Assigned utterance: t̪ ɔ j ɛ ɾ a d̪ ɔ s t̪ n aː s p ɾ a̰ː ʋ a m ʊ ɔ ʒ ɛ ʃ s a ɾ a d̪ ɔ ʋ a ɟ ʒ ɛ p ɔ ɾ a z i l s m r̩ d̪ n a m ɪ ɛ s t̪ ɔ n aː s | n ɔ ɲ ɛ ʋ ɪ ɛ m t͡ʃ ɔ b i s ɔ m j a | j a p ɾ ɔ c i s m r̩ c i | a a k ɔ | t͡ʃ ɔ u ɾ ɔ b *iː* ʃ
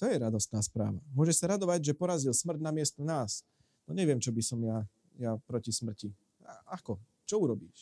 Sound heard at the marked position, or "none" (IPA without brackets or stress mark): iː